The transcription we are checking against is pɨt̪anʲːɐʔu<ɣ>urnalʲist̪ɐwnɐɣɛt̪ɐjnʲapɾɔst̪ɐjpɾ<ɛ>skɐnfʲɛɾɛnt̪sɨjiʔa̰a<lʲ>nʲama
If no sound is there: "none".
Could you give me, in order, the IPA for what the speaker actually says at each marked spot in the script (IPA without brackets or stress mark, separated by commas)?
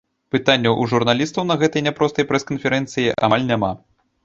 ʐ, ɛ, lʲ